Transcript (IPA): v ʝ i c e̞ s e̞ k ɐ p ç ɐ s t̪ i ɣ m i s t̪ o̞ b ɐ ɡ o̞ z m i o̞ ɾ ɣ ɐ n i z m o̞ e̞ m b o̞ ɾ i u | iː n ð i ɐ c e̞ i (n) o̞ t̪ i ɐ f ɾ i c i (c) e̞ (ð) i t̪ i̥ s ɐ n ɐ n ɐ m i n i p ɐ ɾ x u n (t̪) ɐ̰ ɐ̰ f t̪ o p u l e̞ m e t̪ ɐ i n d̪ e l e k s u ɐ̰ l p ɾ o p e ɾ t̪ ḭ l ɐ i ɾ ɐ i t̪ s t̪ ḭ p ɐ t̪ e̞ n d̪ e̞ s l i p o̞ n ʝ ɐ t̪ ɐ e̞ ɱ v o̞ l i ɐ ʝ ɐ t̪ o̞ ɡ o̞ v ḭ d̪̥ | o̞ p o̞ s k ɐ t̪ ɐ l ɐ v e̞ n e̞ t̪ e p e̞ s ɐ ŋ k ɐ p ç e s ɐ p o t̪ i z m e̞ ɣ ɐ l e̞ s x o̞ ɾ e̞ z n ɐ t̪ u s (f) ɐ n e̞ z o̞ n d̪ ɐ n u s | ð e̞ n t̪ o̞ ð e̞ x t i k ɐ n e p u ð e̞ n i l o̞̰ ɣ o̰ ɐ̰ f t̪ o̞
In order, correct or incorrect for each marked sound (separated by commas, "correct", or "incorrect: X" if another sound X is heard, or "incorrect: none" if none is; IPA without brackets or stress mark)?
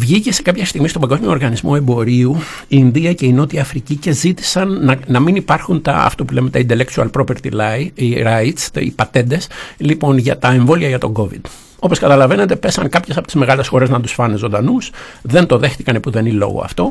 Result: correct, correct, incorrect: z, correct, correct